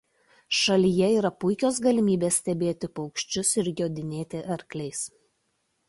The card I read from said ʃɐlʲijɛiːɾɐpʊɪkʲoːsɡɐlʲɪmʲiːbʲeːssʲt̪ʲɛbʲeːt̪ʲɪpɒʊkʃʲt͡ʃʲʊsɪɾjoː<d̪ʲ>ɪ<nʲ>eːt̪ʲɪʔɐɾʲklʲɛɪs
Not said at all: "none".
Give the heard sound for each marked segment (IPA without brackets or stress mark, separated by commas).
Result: d̪ʲ, nʲ